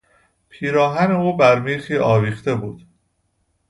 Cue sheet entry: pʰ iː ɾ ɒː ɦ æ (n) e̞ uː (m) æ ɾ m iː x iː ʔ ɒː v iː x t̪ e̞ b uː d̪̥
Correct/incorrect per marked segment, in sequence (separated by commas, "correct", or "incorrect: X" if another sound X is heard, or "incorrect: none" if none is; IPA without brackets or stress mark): correct, incorrect: b